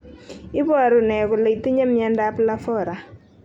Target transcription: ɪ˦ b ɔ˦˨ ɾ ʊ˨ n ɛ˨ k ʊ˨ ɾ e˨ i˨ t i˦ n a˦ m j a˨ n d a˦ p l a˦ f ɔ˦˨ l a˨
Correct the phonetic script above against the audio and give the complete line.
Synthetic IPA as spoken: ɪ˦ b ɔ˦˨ ɾ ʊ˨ n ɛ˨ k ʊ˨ l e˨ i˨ t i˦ ɲ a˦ m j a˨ n d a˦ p l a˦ f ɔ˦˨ ɾ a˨